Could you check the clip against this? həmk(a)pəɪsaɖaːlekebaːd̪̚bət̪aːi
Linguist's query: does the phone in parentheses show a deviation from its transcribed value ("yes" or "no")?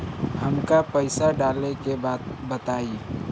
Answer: no